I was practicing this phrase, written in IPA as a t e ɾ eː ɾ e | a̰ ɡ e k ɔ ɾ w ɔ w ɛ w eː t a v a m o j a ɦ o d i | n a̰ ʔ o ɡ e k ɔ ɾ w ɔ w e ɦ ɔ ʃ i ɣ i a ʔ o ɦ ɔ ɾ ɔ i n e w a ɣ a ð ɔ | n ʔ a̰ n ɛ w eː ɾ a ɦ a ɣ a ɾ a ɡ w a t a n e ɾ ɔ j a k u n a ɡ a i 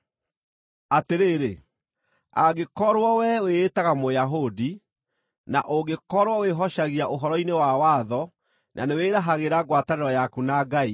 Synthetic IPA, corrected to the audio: a t e ɾ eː ɾ e | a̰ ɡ e k ɔ ɾ w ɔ w ɛ w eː t a ɣ a m o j a ɦ o d i | n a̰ ʔ o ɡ e k ɔ ɾ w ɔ w e ɦ ɔ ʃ a ɣ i a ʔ o ɦ ɔ ɾ ɔ i n e w a w a ð ɔ | n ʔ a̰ n e w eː ɾ a ɦ a ɣ e ɾ a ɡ w a t a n e ɾ ɔ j a k u n a ɡ a i

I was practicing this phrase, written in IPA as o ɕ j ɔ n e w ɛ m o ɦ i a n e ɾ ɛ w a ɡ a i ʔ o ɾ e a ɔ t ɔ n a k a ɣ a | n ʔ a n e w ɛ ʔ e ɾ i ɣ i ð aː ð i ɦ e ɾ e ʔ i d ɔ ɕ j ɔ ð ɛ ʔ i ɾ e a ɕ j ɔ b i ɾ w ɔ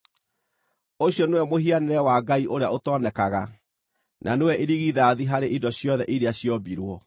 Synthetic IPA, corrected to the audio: o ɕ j ɔ n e w ɛ m o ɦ i a n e ɾ ɛ w a ɡ a i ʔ o ɾ e a o t ɔ n ɛ k a ɣ a | n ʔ a n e w ɛ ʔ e ɾ i ɣ i ð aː ð i ɦ a ɾ e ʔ i d ɔ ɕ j ɔ ð ɛ ʔ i ɾ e a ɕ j ɔ b i ɾ w ɔ

